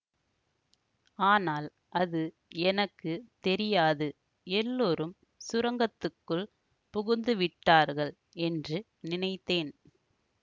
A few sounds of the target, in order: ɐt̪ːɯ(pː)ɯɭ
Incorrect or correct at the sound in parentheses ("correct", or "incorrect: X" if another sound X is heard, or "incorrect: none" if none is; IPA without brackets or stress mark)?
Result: incorrect: kː